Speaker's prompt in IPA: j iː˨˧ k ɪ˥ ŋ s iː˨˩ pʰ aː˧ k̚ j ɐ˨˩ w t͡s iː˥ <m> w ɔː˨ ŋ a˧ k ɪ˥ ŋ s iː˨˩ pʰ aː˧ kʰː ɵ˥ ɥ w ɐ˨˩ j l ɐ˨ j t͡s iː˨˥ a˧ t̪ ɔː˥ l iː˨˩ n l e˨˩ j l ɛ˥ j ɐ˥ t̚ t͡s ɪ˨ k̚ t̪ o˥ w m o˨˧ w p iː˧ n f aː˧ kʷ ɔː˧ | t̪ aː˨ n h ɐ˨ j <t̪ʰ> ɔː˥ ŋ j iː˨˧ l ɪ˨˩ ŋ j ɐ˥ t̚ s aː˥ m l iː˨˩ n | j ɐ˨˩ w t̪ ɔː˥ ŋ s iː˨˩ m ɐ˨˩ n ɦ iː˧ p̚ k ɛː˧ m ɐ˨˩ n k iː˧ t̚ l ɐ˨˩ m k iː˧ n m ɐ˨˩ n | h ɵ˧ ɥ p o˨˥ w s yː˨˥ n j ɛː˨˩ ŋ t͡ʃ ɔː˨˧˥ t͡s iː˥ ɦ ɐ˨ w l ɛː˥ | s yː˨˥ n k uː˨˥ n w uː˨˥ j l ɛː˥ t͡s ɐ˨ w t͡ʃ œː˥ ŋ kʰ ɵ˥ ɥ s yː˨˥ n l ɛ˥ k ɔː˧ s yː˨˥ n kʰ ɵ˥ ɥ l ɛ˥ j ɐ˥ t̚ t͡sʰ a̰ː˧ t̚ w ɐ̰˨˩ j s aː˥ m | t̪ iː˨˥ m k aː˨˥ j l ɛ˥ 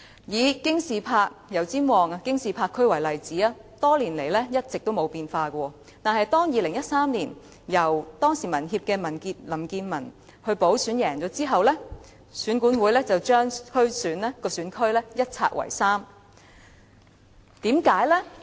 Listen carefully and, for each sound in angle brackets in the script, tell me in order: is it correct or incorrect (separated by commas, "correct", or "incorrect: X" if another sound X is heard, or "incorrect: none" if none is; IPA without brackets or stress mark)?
correct, incorrect: t̪